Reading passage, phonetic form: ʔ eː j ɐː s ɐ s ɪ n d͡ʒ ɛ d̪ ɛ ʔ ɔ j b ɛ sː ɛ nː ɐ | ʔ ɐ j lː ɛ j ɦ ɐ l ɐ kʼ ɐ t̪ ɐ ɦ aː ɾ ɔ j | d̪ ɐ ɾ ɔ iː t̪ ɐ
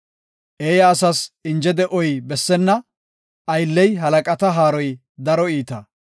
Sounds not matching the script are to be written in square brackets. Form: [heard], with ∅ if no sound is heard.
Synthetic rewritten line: ʔ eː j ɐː s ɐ s ɪ n d͡ʒ ɛ d̪ ɛ ʔ ɔ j b ɛ sː ɛ nː ɐ | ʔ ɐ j lː ɛ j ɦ ɐ l ɐ kʼ ɐ t̪ ɐ ɦ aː ɾ ɔ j | d̪ ɐ ɾ ɔ iː t̪ ɐ